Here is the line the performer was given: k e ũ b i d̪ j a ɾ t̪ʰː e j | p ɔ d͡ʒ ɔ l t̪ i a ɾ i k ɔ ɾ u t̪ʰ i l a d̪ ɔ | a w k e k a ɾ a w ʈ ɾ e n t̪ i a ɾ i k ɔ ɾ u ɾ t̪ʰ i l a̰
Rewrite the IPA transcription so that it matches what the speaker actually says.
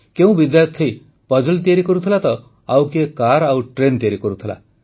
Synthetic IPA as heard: k e ũ b i d̪ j a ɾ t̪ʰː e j | p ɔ d͡ʒ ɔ l t̪ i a ɾ i k ɔ ɾ u t̪ʰ i l a t̪ ɔ | a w k e k a ɾ a w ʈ ɾ e n t̪ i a ɾ i k ɔ ɾ u t̪ʰ i l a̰